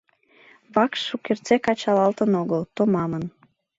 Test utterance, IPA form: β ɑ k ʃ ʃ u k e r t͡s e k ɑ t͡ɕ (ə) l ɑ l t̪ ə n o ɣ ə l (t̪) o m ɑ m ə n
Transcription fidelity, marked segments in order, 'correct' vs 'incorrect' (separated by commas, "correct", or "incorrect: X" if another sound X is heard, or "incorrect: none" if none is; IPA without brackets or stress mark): incorrect: ɑ, correct